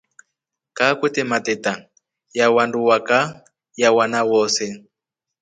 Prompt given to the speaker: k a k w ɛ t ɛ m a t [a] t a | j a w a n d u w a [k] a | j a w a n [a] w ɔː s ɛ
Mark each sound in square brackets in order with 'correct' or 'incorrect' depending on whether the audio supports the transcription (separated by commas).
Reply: incorrect, correct, correct